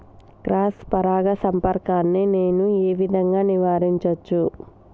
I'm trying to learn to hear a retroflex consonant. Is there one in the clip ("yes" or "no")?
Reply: no